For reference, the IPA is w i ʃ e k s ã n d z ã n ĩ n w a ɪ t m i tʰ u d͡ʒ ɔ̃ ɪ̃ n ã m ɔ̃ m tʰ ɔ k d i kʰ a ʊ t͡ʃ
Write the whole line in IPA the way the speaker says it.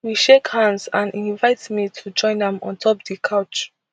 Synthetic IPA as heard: w i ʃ e k h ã n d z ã n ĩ n v a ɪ t m i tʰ u d͡ʒ ɔ̃ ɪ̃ n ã m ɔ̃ n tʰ ɔ p d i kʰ a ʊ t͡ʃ